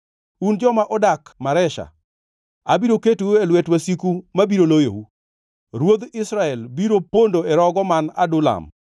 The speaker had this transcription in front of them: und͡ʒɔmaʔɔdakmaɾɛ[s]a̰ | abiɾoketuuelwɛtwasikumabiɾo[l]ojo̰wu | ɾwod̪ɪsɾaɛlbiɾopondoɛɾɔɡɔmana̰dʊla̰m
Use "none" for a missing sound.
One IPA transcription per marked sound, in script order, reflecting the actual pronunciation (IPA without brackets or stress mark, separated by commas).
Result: ʃ, l